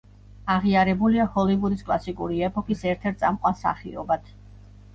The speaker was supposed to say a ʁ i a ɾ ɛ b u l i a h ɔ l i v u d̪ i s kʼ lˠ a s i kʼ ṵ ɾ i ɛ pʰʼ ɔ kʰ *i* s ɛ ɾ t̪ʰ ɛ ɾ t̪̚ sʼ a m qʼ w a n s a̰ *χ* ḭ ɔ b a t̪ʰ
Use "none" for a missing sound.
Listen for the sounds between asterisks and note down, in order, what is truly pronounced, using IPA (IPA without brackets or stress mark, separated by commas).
i, χ